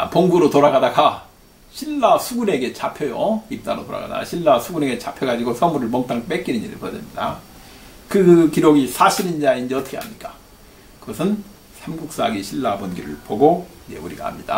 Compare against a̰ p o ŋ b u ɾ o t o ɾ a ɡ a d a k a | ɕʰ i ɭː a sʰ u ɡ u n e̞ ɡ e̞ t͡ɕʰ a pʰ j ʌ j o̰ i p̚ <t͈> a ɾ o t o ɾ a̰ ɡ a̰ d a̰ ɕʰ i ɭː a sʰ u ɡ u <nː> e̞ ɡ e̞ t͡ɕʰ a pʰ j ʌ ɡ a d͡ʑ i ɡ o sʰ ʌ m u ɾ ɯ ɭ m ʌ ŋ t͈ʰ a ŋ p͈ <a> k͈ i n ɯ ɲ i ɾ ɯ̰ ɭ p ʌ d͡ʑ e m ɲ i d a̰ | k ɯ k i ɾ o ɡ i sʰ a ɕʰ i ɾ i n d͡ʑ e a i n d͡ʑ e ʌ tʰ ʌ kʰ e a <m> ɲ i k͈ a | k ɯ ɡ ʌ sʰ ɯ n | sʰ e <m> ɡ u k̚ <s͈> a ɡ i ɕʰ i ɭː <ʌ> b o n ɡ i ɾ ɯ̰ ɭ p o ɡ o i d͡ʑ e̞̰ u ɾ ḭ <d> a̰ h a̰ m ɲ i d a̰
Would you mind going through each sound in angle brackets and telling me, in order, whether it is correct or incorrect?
correct, incorrect: n, incorrect: e, correct, correct, correct, incorrect: a, incorrect: ɡ

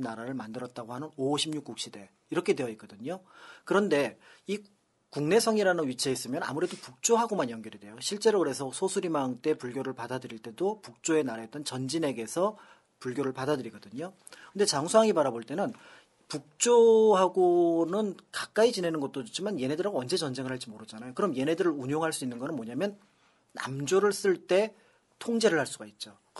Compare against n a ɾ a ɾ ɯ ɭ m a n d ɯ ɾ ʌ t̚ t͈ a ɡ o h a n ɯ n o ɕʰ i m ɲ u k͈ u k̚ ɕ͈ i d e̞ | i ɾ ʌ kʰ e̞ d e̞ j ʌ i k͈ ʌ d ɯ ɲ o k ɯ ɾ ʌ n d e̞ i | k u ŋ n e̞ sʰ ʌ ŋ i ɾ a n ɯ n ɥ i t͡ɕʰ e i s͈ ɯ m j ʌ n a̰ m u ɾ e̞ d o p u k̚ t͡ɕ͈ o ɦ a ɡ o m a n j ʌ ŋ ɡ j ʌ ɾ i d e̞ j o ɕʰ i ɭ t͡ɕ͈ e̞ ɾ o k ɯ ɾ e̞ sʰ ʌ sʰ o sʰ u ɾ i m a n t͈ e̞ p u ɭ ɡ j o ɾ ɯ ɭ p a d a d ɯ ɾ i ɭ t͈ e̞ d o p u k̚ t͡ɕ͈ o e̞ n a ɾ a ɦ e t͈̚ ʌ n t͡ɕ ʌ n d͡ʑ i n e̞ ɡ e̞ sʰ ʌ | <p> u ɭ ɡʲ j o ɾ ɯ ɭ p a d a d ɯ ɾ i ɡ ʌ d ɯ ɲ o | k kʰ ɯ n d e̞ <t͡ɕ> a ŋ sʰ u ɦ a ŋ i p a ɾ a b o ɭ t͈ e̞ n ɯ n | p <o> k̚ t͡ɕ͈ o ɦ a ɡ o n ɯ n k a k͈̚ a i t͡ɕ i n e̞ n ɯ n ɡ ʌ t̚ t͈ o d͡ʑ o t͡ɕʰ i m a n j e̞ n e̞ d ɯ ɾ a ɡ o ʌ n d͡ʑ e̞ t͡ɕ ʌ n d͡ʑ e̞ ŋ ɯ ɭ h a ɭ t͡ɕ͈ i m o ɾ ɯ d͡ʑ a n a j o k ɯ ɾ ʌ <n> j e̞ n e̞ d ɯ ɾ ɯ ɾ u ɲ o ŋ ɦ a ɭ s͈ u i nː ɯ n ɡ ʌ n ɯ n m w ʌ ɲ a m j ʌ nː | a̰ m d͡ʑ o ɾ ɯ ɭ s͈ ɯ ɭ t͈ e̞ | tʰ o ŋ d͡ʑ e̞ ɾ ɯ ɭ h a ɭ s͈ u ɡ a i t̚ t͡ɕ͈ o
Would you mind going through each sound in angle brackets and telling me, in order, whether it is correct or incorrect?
correct, correct, incorrect: u, incorrect: m

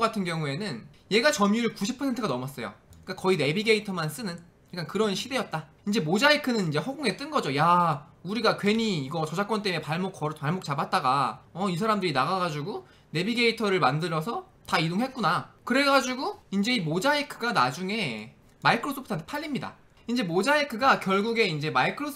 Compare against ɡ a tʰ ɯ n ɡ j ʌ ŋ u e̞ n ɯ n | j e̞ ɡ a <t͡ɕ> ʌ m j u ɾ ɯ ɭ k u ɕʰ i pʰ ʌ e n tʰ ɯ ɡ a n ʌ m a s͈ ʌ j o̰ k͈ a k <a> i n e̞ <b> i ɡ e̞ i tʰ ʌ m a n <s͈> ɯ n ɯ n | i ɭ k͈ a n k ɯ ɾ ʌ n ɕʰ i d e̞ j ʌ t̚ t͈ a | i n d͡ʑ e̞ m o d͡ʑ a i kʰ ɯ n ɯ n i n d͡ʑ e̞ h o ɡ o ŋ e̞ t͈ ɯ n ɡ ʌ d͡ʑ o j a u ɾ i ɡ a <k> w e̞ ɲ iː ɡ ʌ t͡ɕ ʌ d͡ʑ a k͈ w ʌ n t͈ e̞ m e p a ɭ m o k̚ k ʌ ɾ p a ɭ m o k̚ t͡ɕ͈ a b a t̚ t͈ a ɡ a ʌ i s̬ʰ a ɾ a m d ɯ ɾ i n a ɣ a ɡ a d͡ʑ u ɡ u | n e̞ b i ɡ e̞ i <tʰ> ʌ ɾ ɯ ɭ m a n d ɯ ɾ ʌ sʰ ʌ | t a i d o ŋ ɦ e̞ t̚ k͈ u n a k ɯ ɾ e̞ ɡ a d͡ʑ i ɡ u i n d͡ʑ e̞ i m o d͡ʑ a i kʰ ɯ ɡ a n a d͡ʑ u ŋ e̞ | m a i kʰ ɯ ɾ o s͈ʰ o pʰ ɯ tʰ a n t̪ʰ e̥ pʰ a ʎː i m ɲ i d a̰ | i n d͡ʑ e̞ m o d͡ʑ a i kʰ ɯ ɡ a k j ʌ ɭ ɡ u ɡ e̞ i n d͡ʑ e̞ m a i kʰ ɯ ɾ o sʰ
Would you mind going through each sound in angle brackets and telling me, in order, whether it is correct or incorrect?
correct, incorrect: ʌ, correct, correct, correct, correct

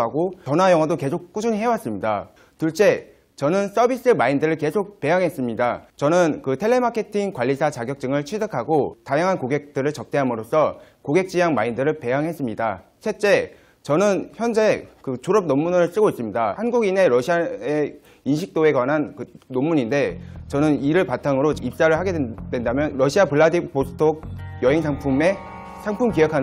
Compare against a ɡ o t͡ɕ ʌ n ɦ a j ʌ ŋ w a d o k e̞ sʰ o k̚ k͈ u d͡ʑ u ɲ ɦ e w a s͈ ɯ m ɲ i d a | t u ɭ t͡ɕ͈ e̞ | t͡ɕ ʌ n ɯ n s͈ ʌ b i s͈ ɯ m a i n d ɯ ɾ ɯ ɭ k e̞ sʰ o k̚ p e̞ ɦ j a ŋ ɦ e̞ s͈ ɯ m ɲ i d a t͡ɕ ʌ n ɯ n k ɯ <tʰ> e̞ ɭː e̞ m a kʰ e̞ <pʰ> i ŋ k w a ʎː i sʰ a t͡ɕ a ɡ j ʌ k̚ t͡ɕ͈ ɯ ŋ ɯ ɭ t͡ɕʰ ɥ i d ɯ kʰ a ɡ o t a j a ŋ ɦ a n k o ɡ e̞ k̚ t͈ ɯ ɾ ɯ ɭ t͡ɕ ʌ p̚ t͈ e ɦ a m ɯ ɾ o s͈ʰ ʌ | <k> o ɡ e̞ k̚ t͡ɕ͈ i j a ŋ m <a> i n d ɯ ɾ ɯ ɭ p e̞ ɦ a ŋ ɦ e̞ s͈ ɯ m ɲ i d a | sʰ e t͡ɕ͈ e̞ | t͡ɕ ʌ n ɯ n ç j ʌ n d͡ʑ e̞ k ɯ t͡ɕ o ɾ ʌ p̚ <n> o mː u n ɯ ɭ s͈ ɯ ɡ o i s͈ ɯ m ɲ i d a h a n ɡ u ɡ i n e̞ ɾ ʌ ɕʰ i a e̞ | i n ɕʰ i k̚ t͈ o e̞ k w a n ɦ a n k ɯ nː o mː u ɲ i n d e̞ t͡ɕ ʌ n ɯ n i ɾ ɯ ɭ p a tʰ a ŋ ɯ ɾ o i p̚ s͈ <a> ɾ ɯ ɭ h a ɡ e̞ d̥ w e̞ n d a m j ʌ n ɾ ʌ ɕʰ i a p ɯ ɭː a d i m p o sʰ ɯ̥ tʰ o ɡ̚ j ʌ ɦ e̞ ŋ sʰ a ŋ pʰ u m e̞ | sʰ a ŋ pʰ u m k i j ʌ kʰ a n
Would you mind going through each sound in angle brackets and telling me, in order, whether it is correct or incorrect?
correct, incorrect: tʰ, correct, correct, correct, correct

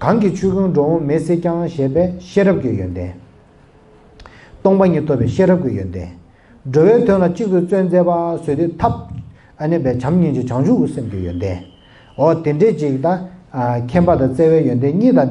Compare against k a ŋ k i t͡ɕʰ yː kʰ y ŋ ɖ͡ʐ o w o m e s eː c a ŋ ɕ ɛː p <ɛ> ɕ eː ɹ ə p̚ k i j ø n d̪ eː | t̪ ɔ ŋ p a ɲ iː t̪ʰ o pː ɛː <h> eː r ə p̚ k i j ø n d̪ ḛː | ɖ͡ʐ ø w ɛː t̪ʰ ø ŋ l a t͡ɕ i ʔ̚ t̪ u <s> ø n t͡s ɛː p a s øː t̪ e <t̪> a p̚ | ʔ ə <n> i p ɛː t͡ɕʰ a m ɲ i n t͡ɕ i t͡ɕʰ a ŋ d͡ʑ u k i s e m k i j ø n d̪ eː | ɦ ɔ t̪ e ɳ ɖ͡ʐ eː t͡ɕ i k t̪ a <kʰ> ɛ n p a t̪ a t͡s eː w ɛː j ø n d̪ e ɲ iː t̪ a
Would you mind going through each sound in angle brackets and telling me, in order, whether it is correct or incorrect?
incorrect: ɛː, incorrect: ɕ, incorrect: t͡s, incorrect: t̪ʰ, correct, correct

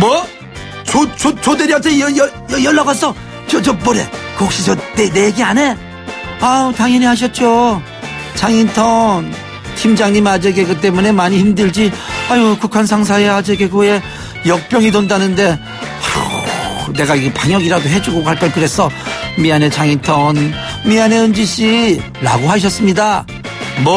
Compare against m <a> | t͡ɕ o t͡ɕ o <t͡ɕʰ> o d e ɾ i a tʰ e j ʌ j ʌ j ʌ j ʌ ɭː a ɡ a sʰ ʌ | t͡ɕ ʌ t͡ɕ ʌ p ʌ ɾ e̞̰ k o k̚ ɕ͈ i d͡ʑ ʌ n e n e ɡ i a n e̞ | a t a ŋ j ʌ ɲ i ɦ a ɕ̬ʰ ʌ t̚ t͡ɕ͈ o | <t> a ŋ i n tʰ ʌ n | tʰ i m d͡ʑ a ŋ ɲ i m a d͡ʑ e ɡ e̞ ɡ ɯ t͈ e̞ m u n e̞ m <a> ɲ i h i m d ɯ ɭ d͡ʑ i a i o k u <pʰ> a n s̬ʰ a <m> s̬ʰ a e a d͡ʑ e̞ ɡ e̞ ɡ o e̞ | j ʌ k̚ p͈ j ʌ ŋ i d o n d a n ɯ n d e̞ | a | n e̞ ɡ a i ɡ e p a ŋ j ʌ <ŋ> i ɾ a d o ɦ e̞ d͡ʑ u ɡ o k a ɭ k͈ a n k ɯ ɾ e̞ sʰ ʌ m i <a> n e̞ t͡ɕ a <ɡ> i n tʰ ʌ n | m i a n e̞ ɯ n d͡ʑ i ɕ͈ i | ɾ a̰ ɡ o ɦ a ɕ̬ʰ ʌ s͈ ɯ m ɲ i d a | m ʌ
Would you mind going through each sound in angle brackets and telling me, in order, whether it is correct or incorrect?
incorrect: ʌ, incorrect: t͡ɕ, incorrect: t͡ɕ, correct, incorrect: kʰ, incorrect: ŋ, incorrect: ɡ, correct, incorrect: ŋ

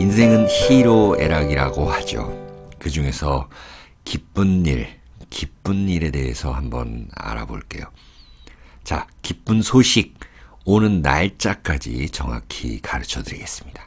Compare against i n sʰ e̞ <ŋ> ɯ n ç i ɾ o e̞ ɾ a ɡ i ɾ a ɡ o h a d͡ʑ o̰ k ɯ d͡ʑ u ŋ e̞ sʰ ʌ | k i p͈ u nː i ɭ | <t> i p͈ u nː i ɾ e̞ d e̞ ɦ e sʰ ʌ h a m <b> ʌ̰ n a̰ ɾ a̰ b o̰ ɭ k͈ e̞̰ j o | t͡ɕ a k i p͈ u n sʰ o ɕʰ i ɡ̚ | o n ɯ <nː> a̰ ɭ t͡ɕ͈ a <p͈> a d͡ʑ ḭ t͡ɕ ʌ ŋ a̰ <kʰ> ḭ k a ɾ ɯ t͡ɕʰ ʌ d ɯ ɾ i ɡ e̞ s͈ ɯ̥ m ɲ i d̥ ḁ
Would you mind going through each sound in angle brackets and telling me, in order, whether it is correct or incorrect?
correct, incorrect: k, correct, correct, incorrect: k͈, correct

